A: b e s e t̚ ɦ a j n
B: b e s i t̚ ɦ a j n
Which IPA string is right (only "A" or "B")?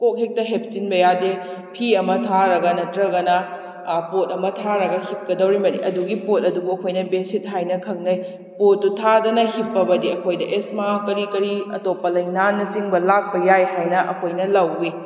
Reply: B